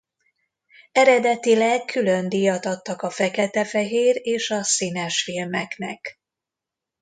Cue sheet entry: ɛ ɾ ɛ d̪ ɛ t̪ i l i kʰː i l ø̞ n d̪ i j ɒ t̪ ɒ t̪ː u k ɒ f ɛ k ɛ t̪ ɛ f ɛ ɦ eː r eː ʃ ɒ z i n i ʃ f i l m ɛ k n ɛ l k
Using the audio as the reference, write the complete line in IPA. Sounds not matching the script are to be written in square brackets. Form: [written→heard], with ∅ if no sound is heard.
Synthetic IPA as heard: ɛ ɾ ɛ d̪ ɛ t̪ i l [i→ɛ] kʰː [i→y] l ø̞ n d̪ i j ɒ t̪ ɒ t̪ː [u→ɒ] k ɒ f ɛ k ɛ t̪ ɛ f ɛ ɦ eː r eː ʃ ɒ [z→s] i n [i→ɛ] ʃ f i l m ɛ k n ɛ [l→∅] k